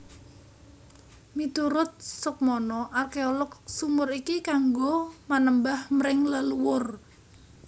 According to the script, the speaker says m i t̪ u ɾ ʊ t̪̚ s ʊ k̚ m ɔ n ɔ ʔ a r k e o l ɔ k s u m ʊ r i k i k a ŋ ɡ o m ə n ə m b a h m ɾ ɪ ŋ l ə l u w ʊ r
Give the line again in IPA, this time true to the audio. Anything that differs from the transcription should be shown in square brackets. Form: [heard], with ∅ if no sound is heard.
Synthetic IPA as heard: m i t̪ u ɾ ʊ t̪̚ s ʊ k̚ m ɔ n ɔ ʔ a r k e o l ɔ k s u m ʊ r i k i k a ŋ ɡ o m [a] n ə m b a h m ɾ ɪ ŋ l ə l u w ʊ r